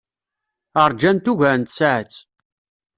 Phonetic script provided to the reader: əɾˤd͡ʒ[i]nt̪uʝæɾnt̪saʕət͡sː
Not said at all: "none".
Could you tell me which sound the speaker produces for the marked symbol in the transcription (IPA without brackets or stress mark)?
æ